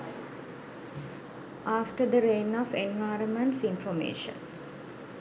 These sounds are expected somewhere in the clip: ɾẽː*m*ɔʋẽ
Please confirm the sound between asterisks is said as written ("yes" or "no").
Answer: no